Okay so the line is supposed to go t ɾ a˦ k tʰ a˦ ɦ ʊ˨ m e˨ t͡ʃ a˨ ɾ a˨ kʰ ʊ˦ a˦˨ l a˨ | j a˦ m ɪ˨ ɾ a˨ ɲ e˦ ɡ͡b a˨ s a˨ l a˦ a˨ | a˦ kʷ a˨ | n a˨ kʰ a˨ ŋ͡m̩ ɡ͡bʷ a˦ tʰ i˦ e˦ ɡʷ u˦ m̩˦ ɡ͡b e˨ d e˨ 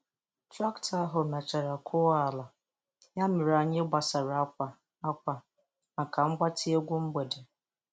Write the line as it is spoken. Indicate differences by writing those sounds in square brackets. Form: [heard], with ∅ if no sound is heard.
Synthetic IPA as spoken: t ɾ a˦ k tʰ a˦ ɦ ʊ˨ m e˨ t͡ʃ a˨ ɾ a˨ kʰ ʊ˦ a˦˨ l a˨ | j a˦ m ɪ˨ ɾ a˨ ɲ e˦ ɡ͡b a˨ s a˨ [ɾ] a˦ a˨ | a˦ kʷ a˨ | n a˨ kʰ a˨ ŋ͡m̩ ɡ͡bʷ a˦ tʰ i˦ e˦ ɡʷ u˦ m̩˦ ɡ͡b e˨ d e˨